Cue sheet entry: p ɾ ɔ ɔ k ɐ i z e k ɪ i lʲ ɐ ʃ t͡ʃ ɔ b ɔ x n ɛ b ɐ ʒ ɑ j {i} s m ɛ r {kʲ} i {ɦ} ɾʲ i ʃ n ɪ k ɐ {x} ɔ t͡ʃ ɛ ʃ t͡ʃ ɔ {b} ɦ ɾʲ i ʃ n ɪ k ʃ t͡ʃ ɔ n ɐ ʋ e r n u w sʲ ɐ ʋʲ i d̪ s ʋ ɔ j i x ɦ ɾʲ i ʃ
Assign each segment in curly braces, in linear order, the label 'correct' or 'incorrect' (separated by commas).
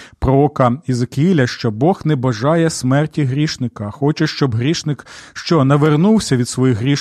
incorrect, incorrect, correct, correct, correct